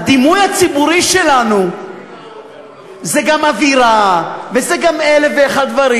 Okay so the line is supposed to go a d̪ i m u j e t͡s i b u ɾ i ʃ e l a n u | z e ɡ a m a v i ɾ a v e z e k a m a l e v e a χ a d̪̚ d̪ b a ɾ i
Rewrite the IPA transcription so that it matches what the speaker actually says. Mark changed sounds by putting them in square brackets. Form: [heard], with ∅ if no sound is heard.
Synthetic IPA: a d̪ i m u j [a] t͡s i b u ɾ i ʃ e l a n u | z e ɡ a m a v i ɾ a v e z e [ɡ] a m [e] l e v e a χ a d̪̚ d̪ [v] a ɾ i